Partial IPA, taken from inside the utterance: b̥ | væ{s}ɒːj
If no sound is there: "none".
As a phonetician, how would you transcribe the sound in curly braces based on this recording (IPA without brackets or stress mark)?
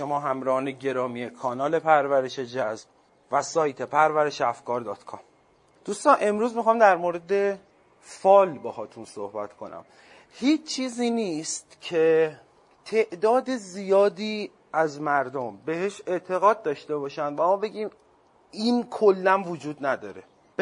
s